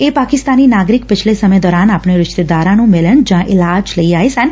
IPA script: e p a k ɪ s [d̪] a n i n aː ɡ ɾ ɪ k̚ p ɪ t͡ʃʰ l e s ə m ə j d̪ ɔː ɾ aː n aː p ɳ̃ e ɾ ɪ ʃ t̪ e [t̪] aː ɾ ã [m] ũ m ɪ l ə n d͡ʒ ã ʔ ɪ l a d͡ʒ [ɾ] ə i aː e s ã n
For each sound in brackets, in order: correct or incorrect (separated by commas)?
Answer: incorrect, incorrect, incorrect, incorrect